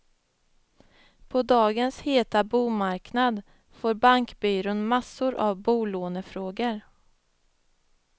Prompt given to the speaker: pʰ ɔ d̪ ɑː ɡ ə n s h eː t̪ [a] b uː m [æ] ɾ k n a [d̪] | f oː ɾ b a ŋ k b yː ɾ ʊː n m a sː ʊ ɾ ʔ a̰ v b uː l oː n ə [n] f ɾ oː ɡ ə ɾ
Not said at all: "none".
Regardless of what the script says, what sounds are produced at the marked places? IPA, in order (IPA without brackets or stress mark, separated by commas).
a, a, d̪, none